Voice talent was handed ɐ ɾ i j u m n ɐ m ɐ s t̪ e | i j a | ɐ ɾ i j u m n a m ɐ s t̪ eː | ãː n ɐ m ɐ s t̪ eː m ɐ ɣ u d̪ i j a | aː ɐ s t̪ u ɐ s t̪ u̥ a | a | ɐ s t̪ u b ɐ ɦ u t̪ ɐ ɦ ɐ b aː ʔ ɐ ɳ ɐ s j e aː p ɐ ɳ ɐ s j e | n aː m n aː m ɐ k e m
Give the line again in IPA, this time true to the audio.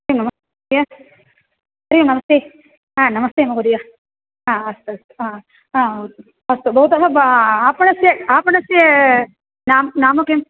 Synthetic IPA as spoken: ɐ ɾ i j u m n ɐ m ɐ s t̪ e | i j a | ɐ ɾ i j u m n ɐ m ɐ s t̪ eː | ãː n ɐ m ɐ s t̪ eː m ɐ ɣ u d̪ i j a | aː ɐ s t̪ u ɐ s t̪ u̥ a | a | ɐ s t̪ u b ɐ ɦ u t̪ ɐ ɦ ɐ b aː p ɐ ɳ ɐ s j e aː p ɐ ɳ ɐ s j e | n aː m n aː m ɐ k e m

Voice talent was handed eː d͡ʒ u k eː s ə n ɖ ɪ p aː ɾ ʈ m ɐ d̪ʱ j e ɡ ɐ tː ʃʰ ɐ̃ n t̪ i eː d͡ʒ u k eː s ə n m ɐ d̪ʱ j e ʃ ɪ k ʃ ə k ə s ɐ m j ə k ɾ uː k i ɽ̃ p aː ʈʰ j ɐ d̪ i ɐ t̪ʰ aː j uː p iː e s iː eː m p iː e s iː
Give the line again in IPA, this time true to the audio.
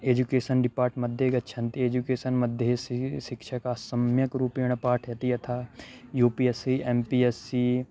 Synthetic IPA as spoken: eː d͡ʒ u k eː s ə n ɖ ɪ p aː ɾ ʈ m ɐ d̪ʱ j e ɡ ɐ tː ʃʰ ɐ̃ n t̪ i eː d͡ʒ u k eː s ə n m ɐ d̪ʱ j e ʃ ɪ k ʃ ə k a s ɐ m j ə k ɾ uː p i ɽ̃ p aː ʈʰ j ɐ t̪ i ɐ t̪ʰ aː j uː p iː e s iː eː m p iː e s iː

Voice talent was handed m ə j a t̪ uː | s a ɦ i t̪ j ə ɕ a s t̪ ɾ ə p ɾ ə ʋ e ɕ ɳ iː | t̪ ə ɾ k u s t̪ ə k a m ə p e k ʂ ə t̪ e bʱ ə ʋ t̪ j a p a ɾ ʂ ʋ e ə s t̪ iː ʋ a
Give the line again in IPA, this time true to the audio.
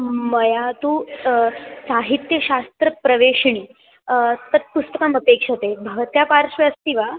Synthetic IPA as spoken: m ə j a t̪ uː | s a ɦ i t̪ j ə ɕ a s t̪ ɾ ə p ɾ ə ʋ e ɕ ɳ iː | t̪ ə ɾ p u s t̪ ə k a m ə p e k ʂ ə t̪ e bʱ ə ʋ t̪ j a p a ɾ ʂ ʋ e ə s t̪ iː ʋ a

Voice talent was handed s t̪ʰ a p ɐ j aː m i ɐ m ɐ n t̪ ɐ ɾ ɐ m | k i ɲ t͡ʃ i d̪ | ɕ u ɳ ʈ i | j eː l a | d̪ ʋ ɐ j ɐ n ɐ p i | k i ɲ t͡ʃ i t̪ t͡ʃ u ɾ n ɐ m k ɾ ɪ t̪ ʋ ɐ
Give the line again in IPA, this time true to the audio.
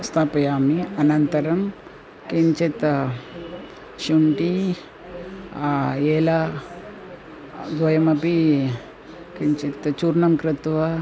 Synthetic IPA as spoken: s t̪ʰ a p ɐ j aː m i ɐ n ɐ n t̪ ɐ ɾ ɐ m | k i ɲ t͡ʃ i t̪ | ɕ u ɳ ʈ i | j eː l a | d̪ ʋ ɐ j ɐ m ɐ p i | k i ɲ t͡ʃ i t̪ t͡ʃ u ɾ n ɐ m k ɾ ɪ t̪ ʋ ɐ

